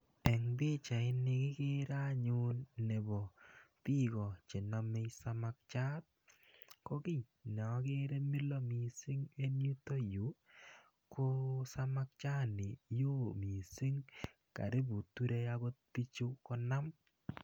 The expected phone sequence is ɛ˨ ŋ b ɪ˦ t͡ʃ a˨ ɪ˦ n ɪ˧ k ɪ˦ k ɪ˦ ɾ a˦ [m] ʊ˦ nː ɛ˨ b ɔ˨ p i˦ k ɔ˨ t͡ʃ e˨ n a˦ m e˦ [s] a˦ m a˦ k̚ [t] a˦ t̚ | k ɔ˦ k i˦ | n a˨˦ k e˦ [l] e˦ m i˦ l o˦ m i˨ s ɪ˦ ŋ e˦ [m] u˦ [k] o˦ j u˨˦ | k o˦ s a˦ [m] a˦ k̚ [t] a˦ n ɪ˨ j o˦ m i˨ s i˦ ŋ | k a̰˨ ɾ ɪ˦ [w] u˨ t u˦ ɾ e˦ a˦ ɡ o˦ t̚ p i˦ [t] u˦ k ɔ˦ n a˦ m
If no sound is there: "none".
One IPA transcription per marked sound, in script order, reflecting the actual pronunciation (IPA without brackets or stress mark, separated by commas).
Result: ɲ, s, t͡ʃ, ɾ, n, t, m, t͡ʃ, b, t͡ʃ